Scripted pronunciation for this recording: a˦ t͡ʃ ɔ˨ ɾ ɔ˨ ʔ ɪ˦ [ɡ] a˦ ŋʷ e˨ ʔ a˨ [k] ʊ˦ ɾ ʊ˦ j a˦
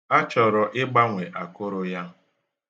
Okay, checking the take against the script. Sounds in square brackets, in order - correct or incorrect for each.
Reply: incorrect, correct

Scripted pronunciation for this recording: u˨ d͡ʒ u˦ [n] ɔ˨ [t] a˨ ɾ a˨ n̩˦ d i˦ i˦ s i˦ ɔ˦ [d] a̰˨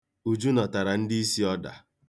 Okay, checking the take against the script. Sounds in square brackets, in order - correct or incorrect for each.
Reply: correct, correct, correct

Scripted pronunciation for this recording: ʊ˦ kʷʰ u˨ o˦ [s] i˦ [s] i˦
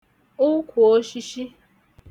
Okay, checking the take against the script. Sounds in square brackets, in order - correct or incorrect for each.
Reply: incorrect, incorrect

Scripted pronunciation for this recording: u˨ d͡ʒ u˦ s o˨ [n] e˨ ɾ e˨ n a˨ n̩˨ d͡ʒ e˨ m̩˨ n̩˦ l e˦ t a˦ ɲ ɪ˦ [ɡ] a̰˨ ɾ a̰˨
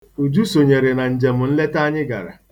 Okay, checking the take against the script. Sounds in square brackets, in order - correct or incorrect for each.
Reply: incorrect, correct

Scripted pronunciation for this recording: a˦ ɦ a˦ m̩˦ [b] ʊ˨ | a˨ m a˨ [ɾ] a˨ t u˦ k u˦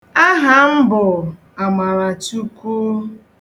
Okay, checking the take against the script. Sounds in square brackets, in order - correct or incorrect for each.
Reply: correct, correct

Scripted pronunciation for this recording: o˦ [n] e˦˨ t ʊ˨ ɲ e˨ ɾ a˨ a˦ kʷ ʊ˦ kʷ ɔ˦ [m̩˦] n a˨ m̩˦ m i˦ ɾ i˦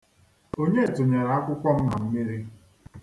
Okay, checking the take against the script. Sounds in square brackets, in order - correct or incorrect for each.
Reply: incorrect, correct

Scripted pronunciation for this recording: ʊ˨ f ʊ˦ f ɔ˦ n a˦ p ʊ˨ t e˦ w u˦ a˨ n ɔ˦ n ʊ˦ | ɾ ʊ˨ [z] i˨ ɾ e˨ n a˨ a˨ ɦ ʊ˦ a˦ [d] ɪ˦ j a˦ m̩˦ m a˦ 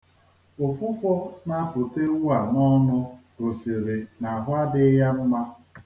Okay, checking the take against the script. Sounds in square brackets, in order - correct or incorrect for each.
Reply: incorrect, correct

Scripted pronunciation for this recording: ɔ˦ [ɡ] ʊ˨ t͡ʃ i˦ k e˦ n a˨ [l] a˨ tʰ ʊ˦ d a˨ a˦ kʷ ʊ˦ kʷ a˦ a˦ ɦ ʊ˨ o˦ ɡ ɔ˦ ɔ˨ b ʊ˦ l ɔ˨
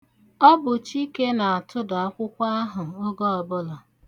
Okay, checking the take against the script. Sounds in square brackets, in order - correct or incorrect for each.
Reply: incorrect, incorrect

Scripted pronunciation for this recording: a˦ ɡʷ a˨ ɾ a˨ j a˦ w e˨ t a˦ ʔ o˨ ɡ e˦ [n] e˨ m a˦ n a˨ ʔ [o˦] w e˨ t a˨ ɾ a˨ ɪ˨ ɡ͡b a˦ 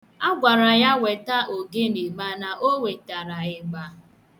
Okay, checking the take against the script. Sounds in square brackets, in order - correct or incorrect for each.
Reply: correct, correct

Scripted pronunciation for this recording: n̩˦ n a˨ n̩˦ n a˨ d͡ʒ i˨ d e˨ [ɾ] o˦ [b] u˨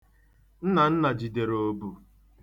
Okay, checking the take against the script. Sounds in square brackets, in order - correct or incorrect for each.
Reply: correct, correct

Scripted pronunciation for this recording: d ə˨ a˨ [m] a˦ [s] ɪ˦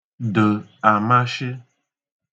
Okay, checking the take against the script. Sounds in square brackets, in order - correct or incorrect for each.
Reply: correct, incorrect

